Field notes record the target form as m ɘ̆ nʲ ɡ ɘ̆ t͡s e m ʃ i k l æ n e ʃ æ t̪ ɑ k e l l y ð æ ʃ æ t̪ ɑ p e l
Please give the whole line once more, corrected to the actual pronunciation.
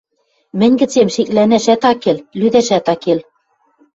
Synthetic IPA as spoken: m ɘ̆ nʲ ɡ ɘ̆ t͡s e m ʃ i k l æ n æ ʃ æ t̪ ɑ k e l l y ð æ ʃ æ t̪ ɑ k e l

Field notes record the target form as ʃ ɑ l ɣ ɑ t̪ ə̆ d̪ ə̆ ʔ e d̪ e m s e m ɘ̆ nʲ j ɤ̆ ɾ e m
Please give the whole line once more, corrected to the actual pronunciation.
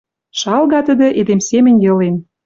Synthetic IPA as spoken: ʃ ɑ l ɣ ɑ t̪ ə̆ d̪ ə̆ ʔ e d̪ e m s e m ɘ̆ nʲ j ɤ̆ l e n

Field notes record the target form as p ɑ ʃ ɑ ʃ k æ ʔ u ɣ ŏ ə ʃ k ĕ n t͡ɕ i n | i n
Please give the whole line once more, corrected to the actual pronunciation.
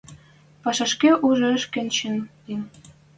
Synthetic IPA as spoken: p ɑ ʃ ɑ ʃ k e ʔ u ʒ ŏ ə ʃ k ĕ n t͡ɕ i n | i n

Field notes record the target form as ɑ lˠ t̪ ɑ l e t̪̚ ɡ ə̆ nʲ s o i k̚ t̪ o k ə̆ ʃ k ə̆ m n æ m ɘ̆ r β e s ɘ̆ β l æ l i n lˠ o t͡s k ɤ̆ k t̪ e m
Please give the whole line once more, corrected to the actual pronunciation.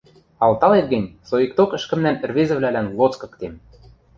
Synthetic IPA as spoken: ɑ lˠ t̪ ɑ l e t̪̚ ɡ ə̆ nʲ s o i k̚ t̪ o k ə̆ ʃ k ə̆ m n æ n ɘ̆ r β e z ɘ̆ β l æ l æ n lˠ o t͡s k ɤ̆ k t̪ e m

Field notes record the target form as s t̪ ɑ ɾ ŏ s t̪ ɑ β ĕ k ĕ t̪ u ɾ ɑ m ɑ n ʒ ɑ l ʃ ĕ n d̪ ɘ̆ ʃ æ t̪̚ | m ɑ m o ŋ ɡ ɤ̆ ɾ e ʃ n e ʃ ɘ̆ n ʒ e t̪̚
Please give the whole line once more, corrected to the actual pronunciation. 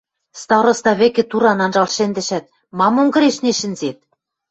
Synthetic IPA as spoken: s t̪ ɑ ɾ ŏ s t̪ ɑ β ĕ k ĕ t̪ u ɾ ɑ n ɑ n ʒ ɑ l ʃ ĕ n d̪ ɘ̆ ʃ æ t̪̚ | m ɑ m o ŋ ɡ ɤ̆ ɾ e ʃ n e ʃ ɘ̆ n z e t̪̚

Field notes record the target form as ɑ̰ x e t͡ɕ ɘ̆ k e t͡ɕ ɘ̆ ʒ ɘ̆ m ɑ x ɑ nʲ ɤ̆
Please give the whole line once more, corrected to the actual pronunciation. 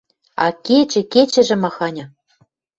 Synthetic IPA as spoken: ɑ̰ k e t͡ɕ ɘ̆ k e t͡ɕ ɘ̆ ʒ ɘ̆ m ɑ x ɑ nʲ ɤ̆

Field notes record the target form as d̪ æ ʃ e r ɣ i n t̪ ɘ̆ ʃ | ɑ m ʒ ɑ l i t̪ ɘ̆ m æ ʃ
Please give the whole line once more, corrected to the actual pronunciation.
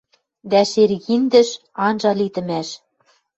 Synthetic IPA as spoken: d̪ æ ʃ e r ɣ i n d̪ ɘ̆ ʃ | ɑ n ʒ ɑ l i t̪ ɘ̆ m æ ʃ

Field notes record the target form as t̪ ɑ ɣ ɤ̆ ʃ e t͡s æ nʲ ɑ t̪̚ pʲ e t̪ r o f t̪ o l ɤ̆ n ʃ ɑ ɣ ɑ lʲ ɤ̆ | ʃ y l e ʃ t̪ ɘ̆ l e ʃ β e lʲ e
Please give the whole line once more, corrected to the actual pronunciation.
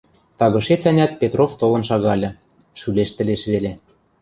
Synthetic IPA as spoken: t̪ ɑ ɣ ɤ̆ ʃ e t͡s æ nʲ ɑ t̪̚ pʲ e t̪ r o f t̪ o l ɤ̆ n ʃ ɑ ɣ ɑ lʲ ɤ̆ | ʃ y l e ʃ t̪ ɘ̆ l e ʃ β e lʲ e

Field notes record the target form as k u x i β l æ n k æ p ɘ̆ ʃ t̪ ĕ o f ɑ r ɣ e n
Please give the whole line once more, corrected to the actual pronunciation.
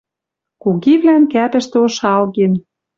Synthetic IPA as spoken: k u ɣ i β l æ n k æ p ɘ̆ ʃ t̪ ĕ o ʃ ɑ l ɣ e n

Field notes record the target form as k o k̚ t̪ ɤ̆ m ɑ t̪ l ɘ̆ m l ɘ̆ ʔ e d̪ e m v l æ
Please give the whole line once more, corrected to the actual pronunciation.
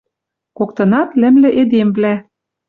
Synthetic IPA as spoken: k o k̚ t̪ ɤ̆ n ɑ t̪ l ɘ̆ m l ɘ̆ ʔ e d̪ e m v l æ

